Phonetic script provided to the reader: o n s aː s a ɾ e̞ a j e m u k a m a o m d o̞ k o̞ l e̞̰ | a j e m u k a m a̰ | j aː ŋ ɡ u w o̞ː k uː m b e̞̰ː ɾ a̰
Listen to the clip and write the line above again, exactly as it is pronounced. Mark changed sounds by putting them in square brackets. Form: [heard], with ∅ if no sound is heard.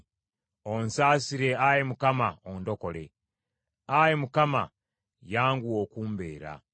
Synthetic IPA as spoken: o n s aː s [i] ɾ e̞ a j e m u k a m a o [n] d o̞ k o̞ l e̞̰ | a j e m u k a m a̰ | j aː ŋ ɡ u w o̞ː k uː m b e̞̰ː ɾ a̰